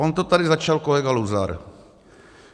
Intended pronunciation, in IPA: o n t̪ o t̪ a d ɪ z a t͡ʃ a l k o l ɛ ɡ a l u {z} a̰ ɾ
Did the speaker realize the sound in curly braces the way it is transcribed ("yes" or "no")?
yes